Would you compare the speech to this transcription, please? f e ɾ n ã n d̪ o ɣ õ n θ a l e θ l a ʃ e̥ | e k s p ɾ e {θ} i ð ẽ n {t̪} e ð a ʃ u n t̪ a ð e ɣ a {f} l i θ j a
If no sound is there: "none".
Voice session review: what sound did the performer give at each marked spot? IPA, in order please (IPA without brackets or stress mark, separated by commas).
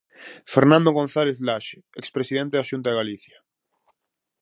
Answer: s, t̪, none